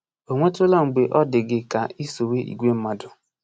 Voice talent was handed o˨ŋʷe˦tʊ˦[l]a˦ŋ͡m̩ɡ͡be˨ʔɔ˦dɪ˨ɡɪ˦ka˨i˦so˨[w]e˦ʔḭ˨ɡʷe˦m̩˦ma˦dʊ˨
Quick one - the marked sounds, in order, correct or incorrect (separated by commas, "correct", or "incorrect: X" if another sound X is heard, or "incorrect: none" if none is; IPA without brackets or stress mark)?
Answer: correct, correct